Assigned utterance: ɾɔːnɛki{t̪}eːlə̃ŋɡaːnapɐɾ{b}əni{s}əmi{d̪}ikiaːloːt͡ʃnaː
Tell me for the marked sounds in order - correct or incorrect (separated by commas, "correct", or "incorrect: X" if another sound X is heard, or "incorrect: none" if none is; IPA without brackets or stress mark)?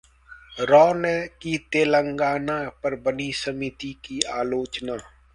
correct, correct, correct, incorrect: t̪